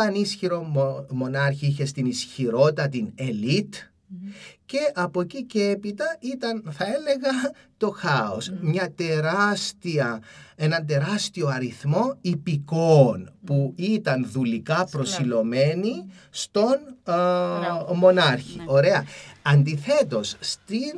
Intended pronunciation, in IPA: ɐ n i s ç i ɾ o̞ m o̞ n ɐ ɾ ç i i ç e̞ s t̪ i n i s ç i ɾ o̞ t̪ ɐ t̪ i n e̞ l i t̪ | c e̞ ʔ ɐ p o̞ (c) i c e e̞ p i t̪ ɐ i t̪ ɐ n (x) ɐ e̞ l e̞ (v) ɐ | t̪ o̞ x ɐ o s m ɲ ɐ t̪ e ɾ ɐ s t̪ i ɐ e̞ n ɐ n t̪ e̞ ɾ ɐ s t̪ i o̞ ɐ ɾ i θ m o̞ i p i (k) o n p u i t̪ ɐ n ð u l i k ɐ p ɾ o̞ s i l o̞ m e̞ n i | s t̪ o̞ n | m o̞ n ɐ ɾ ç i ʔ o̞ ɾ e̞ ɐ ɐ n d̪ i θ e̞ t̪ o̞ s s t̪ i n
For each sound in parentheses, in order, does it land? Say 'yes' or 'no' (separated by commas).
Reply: yes, no, no, yes